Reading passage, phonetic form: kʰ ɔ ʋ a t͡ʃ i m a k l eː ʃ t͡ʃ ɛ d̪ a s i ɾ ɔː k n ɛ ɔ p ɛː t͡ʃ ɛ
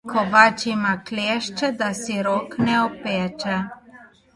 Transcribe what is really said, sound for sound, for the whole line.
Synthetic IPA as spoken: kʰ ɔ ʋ a t͡ʃ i m a k l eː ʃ t͡ʃ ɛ d̪ a s i ɾ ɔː k n ɛ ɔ p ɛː t͡ʃ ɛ

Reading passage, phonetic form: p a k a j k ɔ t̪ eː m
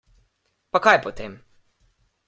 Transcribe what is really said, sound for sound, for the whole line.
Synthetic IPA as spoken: p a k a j p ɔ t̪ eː m

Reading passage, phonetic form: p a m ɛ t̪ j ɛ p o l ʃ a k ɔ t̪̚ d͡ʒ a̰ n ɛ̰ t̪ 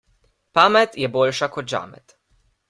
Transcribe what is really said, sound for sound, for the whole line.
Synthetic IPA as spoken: p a m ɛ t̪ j ɛ b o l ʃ a k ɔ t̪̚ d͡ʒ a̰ m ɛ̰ t̪

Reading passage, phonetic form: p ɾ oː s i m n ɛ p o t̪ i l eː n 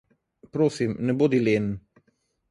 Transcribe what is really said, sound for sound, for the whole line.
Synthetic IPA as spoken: p ɾ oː s i m n ɛ b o d̪ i l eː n

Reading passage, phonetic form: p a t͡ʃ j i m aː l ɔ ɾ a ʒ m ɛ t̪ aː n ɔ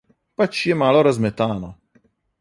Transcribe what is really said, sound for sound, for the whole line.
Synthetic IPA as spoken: p a t͡ʃ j ɛ m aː l ɔ ɾ a z m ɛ t̪ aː n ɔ

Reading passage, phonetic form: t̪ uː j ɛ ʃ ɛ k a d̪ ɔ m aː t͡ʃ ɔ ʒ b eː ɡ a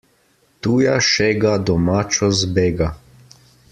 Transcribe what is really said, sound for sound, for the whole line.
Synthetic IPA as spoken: t̪ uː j a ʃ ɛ ɡ a d̪ ɔ m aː t͡ʃ ɔ z b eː ɡ a

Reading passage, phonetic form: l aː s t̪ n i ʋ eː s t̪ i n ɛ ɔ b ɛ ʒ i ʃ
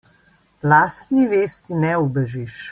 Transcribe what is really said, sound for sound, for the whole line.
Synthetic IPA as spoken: l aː s t̪ n i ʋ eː s t̪ i n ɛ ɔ b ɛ ʒ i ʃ

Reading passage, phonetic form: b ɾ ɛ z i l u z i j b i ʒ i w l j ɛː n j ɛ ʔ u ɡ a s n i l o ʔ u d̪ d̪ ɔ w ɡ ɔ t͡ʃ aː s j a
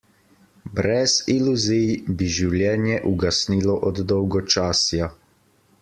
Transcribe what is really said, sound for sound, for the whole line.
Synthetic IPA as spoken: b ɾ ɛ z i l u z i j b i ʒ i w l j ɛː n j ɛ ʔ u ɡ a s n i l ɔ ʔ ɔ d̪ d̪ ɔ w ɡ ɔ t͡ʃ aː s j a

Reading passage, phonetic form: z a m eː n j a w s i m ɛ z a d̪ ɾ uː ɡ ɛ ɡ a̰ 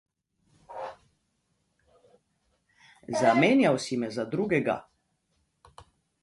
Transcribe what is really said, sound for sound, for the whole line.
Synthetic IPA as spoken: z a m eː n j a w s i m ɛ z a d̪ ɾ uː ɡ ɛ ɡ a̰

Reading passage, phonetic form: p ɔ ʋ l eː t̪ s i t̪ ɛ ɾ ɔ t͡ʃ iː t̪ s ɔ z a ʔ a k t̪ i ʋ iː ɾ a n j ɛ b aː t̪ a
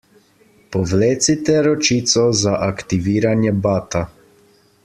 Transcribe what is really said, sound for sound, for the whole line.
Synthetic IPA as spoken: p ɔ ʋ l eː t̪ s i t̪ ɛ ɾ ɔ t͡ʃ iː t̪ s ɔ z a ʔ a k t̪ i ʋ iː ɾ a n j ɛ b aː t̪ a

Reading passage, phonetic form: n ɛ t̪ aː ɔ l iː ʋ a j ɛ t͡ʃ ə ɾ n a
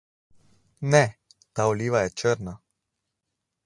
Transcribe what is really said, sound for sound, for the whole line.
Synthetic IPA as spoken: n ɛ t̪ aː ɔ l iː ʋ a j ɛ t͡ʃ ə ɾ n a

